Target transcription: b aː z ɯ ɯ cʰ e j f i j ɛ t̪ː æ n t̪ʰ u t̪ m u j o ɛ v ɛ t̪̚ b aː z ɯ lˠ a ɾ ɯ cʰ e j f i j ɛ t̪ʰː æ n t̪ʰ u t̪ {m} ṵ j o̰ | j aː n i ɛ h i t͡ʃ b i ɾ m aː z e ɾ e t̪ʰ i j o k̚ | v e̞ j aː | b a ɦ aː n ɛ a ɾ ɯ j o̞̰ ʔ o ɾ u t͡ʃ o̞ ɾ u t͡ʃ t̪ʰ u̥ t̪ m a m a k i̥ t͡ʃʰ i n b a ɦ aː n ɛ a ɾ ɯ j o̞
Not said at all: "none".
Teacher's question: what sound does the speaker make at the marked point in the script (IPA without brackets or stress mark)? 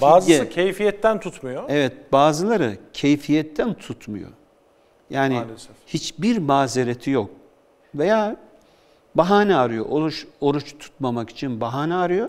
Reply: m